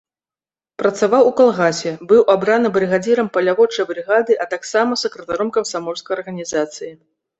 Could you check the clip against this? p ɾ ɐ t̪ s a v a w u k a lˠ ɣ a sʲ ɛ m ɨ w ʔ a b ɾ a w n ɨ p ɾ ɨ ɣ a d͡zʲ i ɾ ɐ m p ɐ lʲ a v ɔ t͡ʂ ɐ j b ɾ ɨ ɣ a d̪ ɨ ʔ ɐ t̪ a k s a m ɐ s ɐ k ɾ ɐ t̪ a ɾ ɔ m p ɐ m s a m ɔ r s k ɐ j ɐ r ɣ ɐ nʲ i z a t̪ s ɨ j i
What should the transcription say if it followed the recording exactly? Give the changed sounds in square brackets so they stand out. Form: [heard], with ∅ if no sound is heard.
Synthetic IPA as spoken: p ɾ ɐ t̪ s a v a w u k a lˠ ɣ a sʲ ɛ [b] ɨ w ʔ a b ɾ a [∅] n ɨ [b] ɾ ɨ ɣ a d͡zʲ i ɾ ɐ m p ɐ lʲ a v ɔ t͡ʂ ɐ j b ɾ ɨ ɣ a d̪ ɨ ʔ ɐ t̪ a k s a m ɐ s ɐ k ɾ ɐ t̪ a ɾ ɔ m [k] ɐ m s a m ɔ r s k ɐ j ɐ r ɣ ɐ nʲ i z a t̪ s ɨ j i